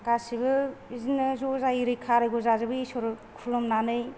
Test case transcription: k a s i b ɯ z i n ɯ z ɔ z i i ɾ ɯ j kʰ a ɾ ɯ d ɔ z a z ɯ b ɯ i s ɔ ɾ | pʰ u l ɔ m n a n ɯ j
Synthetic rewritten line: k a s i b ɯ z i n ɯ z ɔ z a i ɾ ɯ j kʰ a ɾ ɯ ɡ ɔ z a z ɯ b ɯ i s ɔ ɾ | kʰ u l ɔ m n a n ɯ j